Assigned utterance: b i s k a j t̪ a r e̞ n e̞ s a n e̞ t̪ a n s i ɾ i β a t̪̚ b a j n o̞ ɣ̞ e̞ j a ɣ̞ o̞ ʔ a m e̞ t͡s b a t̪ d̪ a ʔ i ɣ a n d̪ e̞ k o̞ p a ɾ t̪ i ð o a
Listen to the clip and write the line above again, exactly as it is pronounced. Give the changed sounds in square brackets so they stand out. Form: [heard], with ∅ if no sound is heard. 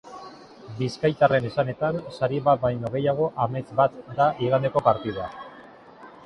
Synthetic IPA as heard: b i s k a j t̪ a r e̞ n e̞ s a n e̞ t̪ a n s [a] ɾ i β a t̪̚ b a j n o̞ ɣ̞ e̞ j a ɣ̞ o̞ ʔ a m e̞ t͡s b a t̪ d̪ a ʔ i ɣ a n d̪ e̞ k o̞ p a ɾ t̪ i ð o a